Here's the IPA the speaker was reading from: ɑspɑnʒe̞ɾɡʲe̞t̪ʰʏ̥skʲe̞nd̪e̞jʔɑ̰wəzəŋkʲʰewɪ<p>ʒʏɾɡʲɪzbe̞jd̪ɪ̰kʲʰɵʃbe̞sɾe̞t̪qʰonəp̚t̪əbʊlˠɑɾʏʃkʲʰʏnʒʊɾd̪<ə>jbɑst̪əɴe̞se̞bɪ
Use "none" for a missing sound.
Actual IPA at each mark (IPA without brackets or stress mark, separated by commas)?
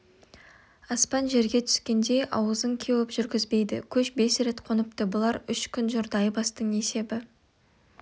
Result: p, ɑ